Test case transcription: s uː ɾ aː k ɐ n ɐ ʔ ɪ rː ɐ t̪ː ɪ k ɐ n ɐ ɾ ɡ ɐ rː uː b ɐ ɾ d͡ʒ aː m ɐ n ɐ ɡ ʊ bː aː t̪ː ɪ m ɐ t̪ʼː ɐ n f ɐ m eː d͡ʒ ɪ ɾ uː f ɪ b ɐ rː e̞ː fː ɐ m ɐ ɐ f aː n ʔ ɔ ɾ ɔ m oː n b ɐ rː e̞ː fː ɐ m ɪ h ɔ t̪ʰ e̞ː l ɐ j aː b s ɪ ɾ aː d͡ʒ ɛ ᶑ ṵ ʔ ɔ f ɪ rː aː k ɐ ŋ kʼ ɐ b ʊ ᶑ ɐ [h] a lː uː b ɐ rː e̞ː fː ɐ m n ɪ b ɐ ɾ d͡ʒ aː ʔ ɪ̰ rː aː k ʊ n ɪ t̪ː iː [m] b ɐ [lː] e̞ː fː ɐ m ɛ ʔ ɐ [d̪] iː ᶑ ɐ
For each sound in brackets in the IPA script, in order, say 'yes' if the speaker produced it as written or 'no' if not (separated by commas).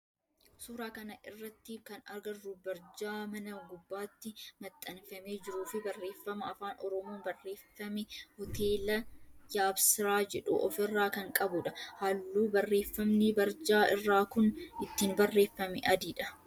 yes, no, no, yes